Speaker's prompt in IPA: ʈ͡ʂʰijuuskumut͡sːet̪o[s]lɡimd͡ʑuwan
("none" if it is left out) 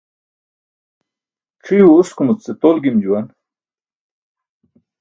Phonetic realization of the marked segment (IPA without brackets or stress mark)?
none